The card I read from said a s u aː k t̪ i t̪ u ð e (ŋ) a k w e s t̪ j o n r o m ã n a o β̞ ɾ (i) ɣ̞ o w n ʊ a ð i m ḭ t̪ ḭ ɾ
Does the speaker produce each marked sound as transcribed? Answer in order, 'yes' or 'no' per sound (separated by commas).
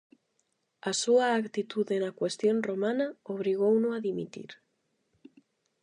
no, yes